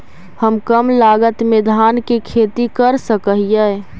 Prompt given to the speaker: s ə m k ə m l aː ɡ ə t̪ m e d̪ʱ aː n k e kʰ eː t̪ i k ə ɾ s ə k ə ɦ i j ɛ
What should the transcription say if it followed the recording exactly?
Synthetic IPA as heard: h ə m k ə m l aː ɡ ə t̪ m e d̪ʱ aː n k e kʰ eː t̪ i k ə ɾ s ə k ə ɦ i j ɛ